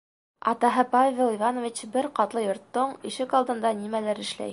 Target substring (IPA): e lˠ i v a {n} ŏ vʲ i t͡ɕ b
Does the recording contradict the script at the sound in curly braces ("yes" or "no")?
no